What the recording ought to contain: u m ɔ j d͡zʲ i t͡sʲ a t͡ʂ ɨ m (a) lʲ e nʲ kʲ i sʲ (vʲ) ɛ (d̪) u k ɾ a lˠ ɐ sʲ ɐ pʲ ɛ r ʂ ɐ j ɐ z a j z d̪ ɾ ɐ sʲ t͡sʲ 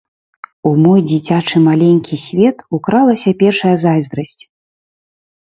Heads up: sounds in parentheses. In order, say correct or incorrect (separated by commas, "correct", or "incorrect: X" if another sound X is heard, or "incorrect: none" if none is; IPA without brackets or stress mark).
correct, correct, incorrect: t̪